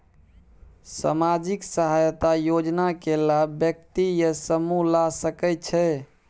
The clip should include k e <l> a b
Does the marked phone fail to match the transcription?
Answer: no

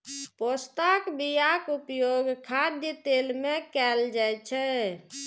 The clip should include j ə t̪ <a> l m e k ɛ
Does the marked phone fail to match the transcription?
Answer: yes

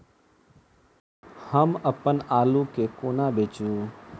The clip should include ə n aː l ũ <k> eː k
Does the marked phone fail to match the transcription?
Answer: no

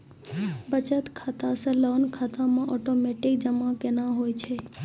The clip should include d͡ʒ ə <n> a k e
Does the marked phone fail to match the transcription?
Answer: yes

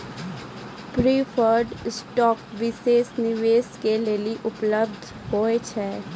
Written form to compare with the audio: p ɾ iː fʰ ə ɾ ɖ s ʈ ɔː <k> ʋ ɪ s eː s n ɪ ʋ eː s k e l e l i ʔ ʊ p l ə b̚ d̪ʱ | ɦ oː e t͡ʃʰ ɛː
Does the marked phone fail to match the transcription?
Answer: no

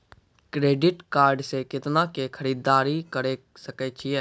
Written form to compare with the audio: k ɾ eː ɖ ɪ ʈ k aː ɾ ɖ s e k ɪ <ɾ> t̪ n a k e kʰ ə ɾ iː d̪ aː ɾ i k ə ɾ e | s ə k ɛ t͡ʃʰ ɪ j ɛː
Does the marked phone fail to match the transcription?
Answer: yes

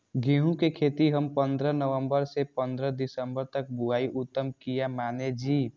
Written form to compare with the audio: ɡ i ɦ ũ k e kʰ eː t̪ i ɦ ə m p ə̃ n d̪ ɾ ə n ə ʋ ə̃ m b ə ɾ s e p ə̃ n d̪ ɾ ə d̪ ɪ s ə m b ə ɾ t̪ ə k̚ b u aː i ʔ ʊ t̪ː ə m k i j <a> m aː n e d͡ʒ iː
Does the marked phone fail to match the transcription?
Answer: no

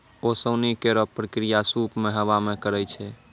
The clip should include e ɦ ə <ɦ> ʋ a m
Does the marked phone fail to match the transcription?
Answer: yes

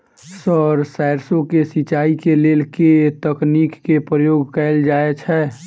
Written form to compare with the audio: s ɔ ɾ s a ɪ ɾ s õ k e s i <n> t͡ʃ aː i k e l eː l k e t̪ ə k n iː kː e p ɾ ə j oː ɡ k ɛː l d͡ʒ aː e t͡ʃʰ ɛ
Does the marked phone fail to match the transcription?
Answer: yes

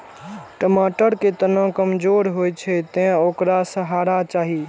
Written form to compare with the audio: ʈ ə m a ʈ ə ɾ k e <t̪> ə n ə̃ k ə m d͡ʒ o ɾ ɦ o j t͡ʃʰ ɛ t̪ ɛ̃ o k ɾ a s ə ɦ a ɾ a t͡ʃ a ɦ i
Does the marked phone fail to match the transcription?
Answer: no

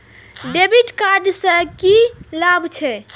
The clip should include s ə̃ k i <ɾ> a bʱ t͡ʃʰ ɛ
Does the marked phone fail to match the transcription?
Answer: yes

